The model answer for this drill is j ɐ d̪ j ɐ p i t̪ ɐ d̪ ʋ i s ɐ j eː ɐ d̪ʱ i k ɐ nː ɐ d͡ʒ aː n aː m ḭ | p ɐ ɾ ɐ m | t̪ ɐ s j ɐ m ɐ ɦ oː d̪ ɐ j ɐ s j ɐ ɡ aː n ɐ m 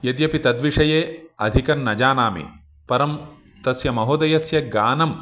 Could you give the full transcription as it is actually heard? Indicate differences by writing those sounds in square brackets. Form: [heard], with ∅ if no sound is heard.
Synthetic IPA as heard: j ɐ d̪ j ɐ p i t̪ ɐ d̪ ʋ i [ʂ] ɐ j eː ɐ d̪ʱ i k ɐ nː ɐ d͡ʒ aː n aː m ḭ | p ɐ ɾ ɐ m | t̪ ɐ s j ɐ m ɐ ɦ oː d̪ ɐ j ɐ s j ɐ ɡ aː n ɐ m